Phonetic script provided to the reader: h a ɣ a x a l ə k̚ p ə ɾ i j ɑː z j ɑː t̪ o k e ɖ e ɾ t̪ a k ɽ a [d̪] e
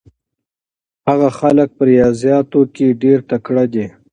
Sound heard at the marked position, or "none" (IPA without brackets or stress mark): d̪